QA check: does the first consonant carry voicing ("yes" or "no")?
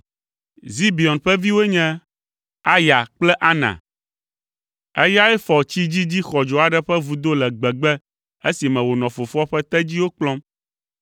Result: yes